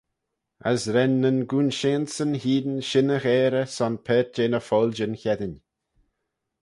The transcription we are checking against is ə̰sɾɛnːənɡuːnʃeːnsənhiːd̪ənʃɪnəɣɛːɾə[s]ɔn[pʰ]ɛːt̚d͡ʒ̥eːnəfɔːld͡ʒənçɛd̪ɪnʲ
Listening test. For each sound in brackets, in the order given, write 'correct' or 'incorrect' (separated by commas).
correct, correct